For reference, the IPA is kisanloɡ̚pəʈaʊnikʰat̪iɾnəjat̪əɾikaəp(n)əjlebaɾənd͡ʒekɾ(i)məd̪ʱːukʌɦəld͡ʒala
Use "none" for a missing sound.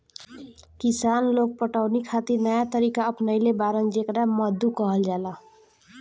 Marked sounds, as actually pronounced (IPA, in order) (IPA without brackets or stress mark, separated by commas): n, a